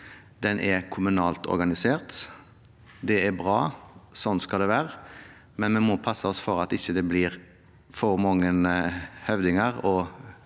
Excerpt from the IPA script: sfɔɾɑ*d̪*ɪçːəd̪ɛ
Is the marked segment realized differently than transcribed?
yes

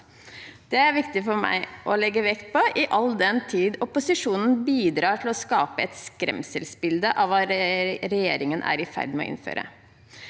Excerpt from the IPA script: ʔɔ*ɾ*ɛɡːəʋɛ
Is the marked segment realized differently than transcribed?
yes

